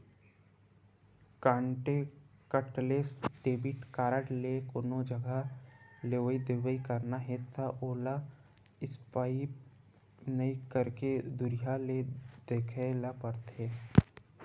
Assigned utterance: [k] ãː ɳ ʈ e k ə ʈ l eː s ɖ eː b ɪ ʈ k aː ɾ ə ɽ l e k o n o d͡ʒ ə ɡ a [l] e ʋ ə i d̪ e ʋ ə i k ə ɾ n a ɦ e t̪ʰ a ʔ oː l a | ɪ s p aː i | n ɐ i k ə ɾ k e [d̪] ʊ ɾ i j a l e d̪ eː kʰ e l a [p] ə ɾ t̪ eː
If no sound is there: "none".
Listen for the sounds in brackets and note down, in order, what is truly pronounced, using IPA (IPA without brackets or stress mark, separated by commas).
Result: k, l, d̪, p